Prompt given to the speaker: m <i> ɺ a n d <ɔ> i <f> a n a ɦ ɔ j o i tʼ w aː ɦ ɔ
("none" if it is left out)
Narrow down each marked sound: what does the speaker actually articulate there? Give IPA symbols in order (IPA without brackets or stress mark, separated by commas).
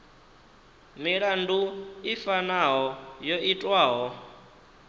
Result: i, u, f